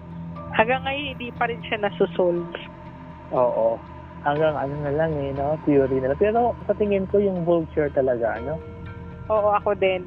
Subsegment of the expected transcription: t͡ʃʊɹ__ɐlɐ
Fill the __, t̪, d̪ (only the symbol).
t̪